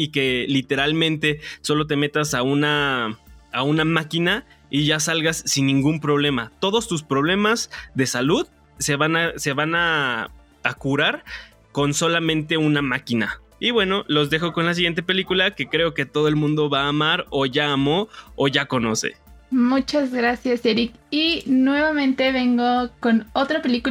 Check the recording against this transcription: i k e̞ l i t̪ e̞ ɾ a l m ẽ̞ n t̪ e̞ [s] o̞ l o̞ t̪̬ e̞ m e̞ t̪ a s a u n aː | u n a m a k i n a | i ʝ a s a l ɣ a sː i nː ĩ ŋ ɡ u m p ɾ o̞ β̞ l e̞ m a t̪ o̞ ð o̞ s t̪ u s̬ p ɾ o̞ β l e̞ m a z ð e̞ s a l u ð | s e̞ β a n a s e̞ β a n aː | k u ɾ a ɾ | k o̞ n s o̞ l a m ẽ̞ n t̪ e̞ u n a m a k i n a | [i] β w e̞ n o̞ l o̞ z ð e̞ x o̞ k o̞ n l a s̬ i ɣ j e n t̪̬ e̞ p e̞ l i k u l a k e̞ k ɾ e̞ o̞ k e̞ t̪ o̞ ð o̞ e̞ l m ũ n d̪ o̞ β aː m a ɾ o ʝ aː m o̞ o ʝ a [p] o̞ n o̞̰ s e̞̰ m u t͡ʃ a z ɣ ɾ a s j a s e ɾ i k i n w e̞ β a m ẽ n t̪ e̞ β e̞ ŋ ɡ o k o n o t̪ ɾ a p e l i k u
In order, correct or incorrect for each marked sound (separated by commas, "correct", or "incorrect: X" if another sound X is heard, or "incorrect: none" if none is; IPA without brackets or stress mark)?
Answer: correct, correct, incorrect: k